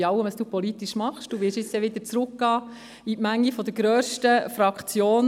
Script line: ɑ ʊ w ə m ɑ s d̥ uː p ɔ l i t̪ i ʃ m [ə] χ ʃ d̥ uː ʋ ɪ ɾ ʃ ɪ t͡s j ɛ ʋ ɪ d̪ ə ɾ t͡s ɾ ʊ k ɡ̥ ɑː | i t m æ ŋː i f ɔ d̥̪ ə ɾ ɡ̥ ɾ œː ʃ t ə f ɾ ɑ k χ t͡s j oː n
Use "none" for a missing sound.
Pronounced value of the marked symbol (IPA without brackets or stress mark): ɑ